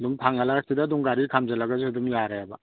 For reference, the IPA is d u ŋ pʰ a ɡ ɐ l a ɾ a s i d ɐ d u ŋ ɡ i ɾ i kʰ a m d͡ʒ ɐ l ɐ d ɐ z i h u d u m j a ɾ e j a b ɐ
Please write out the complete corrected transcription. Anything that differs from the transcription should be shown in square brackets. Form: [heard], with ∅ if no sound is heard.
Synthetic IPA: d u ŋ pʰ a [ŋ] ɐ l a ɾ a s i d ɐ d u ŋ ɡ [a] ɾ i kʰ a m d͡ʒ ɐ l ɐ [ɡ] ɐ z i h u d u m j a ɾ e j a b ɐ